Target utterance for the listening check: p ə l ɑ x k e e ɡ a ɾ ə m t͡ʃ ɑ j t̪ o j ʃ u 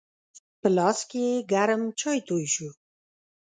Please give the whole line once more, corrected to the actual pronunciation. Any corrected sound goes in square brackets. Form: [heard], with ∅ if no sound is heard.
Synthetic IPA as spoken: p ə l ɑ [s] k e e ɡ a ɾ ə m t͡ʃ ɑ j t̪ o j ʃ u